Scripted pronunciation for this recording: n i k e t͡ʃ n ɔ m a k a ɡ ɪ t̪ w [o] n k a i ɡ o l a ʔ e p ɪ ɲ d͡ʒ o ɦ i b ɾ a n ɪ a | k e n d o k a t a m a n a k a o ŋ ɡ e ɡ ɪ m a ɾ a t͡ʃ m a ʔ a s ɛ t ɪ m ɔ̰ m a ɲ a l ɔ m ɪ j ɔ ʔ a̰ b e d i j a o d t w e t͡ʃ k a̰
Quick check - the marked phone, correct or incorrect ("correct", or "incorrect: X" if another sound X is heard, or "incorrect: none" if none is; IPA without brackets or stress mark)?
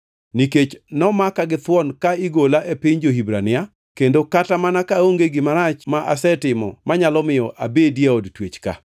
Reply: incorrect: ɔ